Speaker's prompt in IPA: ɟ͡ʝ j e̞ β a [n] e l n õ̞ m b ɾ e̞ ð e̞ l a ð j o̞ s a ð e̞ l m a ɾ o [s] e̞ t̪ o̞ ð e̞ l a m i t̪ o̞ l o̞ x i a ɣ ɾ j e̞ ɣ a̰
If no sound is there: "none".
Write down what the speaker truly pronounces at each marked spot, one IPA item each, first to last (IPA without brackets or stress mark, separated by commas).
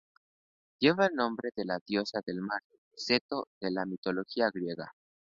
none, s